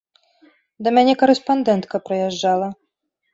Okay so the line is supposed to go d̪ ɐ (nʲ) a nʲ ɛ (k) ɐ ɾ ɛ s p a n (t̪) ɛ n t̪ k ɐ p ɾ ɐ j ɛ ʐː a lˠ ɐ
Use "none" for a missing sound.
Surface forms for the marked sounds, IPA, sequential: mʲ, k, d̪

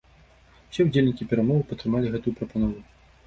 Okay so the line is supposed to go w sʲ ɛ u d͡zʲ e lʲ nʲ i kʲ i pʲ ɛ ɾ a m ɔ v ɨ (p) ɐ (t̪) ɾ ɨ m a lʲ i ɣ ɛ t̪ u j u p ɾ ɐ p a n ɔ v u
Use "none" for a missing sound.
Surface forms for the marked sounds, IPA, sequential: p, t̪

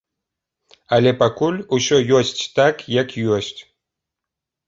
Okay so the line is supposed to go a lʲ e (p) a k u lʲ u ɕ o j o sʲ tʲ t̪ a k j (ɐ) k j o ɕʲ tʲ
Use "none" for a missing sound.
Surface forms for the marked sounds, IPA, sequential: p, a

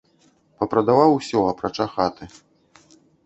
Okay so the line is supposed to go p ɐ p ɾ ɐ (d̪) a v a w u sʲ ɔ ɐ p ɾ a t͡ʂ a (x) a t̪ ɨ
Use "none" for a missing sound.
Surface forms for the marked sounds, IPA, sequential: d̪, x

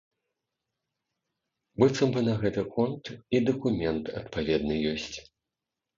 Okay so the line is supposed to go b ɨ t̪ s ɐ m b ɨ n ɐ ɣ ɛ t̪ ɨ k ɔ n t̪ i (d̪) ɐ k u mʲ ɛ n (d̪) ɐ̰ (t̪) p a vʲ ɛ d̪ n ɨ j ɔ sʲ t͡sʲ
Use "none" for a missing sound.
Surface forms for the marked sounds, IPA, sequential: d̪, t̪, t̪

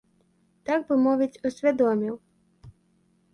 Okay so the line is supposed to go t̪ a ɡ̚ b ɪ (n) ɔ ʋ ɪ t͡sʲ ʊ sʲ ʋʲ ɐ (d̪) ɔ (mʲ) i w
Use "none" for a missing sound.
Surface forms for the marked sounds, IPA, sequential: m, d̪, mʲ

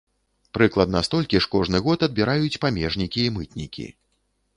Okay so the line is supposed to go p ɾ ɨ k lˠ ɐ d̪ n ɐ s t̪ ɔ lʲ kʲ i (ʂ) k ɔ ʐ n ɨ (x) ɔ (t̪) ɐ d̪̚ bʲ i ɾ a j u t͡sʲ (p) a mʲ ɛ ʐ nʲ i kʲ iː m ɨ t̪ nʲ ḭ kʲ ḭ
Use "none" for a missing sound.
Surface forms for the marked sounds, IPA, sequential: ʂ, ɣ, t̪, p

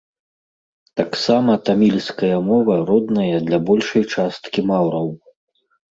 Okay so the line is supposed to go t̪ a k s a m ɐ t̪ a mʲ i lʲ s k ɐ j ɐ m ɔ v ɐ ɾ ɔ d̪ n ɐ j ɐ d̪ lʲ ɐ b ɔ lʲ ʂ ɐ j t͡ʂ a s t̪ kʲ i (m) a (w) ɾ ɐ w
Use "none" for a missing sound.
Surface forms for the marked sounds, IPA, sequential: m, w

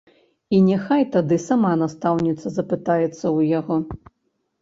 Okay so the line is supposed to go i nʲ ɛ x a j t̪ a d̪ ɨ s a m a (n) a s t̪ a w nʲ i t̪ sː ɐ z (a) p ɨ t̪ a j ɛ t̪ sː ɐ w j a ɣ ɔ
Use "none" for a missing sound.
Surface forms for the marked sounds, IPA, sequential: n, ɐ

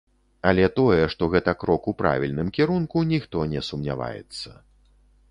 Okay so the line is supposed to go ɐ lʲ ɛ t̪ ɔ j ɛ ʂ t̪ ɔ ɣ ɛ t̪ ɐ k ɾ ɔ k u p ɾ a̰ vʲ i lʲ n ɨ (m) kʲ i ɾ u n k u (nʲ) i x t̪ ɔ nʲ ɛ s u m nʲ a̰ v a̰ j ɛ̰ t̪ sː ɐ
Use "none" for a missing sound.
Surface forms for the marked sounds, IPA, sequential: m, nʲ

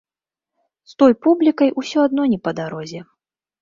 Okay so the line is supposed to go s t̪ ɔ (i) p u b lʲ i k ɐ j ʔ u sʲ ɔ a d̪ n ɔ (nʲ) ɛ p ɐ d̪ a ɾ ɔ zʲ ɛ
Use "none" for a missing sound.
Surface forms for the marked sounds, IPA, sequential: j, nʲ

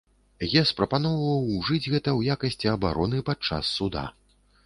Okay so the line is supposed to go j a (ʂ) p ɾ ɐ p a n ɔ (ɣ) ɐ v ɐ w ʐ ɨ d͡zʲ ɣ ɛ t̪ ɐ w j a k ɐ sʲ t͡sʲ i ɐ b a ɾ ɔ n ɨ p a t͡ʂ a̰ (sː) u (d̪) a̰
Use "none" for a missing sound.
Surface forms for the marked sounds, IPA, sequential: s, v, sː, d̪

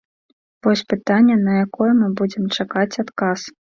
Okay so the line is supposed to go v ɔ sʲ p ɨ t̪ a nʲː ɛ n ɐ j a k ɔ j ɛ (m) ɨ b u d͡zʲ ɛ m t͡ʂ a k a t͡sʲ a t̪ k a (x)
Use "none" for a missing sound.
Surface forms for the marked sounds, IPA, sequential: m, s

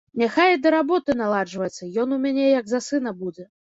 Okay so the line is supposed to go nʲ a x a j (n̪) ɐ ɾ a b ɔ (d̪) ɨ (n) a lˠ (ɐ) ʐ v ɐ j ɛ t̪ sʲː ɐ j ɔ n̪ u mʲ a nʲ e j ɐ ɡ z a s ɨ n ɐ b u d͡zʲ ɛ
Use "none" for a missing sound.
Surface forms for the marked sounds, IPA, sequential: d̪, t̪, n, a

